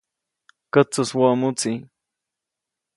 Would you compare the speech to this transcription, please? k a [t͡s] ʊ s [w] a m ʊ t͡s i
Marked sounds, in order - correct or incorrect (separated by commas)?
correct, correct